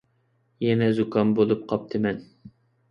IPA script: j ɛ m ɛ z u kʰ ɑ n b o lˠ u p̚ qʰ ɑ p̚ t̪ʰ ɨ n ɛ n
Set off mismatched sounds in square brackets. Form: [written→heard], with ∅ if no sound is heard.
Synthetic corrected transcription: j ɛ [m→n] ɛ z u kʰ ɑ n b o lˠ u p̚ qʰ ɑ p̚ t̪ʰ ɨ [n→m] ɛ n